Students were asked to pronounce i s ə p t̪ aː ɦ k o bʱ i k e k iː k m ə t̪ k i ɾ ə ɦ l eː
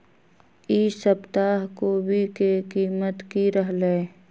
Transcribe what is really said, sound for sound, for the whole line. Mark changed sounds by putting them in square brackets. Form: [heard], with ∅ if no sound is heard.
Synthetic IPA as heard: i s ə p t̪ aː ɦ k o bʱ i k e k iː [∅] m ə t̪ k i ɾ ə ɦ l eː